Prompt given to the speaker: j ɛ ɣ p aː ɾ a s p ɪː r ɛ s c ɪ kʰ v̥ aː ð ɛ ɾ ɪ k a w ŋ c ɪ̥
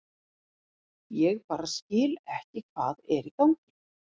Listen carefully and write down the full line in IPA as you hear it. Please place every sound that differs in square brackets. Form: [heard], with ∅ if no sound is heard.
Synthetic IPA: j ɛ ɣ p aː ɾ a s [c] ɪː [l] ɛ [h] c ɪ kʰ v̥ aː ð ɛ ɾ [i] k a w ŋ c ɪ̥